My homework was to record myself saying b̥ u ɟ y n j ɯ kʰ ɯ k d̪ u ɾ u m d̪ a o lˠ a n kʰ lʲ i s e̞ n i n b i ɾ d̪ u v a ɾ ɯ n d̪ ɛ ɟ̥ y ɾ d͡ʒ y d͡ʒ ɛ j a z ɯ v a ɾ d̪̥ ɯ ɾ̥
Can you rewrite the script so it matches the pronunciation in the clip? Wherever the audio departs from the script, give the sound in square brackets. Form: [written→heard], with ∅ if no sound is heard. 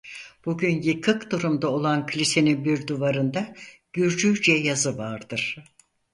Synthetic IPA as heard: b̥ u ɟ y n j ɯ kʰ ɯ k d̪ u ɾ u m d̪ a o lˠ a n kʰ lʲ i s e̞ n i n b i ɾ d̪ u v a ɾ ɯ n d̪ [ɛ→a] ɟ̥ y ɾ d͡ʒ y d͡ʒ ɛ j a z ɯ v a ɾ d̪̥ ɯ ɾ̥